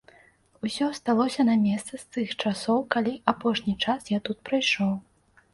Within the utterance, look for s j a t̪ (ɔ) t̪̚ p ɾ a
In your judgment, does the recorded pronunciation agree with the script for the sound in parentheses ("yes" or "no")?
no